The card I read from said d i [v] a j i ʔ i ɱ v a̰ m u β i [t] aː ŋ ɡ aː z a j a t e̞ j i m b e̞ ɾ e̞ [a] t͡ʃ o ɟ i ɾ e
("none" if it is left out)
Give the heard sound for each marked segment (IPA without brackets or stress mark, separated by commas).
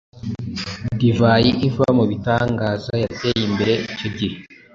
v, t, i